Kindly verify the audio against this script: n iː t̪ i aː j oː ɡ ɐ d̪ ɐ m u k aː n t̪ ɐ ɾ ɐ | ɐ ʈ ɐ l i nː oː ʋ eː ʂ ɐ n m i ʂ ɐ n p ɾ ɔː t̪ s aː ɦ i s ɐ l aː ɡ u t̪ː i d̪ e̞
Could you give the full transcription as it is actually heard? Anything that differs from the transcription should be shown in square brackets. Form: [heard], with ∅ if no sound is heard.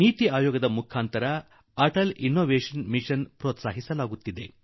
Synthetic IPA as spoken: n iː t̪ i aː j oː ɡ ɐ d̪ ɐ m u [kʰ] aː n t̪ ɐ ɾ ɐ | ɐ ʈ ɐ l i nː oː ʋ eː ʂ ɐ n m i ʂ ɐ n p ɾ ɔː t̪ s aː ɦ i s ɐ l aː ɡ u t̪ː i d̪ e̞